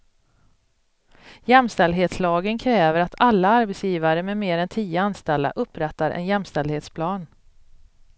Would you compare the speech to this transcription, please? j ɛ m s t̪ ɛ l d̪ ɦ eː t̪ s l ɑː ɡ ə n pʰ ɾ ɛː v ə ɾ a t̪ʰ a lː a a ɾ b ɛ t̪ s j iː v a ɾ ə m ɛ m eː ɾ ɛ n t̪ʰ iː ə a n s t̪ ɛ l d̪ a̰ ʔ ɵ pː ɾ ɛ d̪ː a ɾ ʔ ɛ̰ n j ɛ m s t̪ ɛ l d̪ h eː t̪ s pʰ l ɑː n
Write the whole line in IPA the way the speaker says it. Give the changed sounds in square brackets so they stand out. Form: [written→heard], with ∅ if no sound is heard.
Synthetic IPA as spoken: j ɛ m s t̪ ɛ l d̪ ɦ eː t̪ s l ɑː ɡ ə n [pʰ→kʰ] ɾ ɛː v ə ɾ a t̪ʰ a lː a a ɾ b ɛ t̪ s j iː v a ɾ ə m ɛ m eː ɾ ɛ n t̪ʰ iː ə a n s t̪ ɛ l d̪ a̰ ʔ ɵ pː ɾ ɛ [d̪ː→t̪ː] a ɾ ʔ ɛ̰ n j ɛ m s t̪ ɛ l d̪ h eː t̪ s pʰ l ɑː n